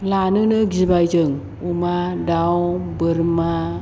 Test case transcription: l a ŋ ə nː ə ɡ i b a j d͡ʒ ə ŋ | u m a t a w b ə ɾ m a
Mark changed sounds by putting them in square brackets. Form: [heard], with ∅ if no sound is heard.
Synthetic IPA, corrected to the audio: l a [n] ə [n] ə ɡ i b a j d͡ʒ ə ŋ | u m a [d] a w b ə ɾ m a